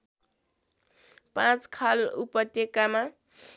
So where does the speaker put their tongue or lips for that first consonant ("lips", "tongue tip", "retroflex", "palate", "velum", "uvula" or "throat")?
lips